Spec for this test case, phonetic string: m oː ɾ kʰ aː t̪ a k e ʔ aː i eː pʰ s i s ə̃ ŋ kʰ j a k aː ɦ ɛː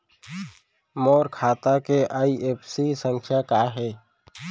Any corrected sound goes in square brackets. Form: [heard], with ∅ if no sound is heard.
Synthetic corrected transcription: m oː ɾ kʰ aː t̪ a k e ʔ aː i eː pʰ s i s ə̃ ŋ kʰ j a k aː ɦ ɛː